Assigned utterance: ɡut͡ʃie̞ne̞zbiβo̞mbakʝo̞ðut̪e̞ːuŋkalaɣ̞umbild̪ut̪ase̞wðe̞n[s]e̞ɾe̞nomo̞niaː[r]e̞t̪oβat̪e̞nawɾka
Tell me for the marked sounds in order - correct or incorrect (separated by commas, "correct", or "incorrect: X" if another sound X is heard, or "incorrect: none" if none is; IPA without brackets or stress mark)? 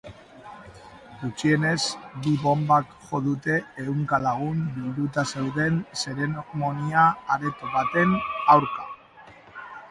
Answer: correct, incorrect: ɾ